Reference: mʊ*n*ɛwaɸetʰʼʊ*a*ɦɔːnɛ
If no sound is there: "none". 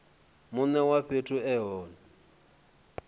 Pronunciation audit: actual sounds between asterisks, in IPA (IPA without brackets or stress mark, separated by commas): n, ɛ